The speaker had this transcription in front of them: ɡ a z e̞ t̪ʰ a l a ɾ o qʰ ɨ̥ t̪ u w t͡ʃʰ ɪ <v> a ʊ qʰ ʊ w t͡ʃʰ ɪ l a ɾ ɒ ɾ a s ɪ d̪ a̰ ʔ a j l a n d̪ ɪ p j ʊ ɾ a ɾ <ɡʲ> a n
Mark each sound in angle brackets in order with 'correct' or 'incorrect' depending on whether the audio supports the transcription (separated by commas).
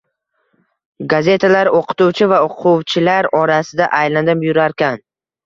correct, incorrect